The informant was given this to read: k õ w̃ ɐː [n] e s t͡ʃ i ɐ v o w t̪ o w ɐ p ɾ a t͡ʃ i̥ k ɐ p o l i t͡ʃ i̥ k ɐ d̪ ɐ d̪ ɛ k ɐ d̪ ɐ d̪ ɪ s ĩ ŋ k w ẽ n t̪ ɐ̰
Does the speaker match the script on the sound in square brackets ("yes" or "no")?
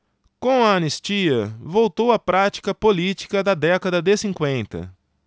yes